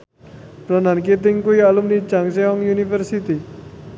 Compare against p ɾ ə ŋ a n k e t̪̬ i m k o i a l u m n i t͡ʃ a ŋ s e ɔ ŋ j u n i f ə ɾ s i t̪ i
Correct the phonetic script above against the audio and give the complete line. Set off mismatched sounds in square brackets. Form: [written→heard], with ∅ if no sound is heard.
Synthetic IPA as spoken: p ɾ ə [ŋ→n] a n k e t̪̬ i [m→ŋ] k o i a l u m n i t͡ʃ a ŋ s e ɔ ŋ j u n i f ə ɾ s i t̪ i